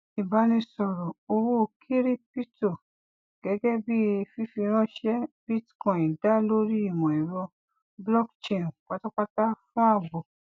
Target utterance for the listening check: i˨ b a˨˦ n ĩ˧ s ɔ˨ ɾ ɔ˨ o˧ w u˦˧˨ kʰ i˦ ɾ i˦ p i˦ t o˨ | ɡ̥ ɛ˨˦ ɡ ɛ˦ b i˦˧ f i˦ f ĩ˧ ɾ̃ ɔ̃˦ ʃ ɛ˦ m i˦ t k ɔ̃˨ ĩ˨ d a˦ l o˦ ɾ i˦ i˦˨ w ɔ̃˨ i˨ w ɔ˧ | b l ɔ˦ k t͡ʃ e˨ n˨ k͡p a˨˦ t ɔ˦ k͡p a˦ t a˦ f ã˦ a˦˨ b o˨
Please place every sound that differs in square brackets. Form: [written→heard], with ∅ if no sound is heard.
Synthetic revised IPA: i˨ b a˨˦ n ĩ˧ s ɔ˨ ɾ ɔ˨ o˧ w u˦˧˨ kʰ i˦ ɾ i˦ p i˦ t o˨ | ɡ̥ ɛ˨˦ ɡ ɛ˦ b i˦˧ f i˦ f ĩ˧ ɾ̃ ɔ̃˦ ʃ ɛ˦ [m→b] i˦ t k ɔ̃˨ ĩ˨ d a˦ l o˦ ɾ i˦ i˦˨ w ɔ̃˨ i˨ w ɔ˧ | b l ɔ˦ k t͡ʃ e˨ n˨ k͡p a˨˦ t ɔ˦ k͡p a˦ t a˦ f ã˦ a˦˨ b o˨